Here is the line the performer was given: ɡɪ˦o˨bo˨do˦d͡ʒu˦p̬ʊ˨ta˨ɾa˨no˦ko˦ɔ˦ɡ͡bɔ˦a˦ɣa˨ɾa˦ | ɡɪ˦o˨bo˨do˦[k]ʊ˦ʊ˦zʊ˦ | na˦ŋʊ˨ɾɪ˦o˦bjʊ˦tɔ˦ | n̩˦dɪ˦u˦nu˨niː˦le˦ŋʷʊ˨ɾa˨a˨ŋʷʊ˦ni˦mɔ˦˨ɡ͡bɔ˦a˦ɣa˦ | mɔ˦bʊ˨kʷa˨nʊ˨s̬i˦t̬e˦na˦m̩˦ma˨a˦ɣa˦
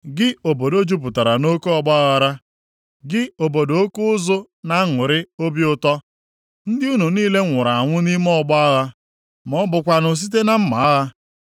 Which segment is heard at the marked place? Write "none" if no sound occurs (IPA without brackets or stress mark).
k